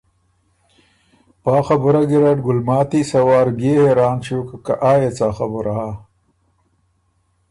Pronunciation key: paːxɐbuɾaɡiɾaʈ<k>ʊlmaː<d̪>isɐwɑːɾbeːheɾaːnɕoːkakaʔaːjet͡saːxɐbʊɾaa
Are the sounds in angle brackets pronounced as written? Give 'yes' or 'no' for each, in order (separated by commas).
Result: no, no